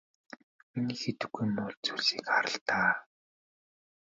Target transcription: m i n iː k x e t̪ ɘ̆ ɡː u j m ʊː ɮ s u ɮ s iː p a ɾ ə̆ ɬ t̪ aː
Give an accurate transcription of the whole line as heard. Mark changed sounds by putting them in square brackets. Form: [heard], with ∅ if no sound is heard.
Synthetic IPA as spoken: m i n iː [∅] x e t̪ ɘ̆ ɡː u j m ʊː ɮ [t͡s] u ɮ s iː [k] a ɾ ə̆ ɬ t̪ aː